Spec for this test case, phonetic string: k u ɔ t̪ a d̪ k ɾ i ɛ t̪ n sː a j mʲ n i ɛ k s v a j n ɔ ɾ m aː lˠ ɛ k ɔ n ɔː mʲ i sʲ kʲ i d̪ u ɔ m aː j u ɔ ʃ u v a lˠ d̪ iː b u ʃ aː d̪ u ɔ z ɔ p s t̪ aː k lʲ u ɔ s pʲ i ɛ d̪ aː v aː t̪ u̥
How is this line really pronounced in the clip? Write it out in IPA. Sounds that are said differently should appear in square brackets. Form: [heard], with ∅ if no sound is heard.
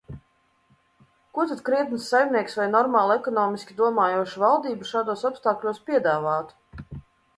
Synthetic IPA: k u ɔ t̪ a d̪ k ɾ i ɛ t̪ n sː a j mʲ n i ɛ k s v a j n ɔ ɾ m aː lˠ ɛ k ɔ n ɔː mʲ i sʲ kʲ i d̪ u ɔ m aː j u ɔ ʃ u v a lˠ d̪ iː b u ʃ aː d̪ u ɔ [s] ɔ p s t̪ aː k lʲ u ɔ s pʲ i ɛ d̪ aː v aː t̪ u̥